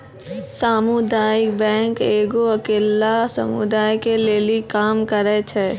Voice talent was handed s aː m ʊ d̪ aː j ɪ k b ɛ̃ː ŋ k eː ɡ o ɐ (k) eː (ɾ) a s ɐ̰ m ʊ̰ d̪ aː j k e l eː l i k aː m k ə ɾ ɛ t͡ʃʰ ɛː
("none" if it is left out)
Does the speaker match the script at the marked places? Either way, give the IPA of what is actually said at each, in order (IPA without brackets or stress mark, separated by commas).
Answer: k, l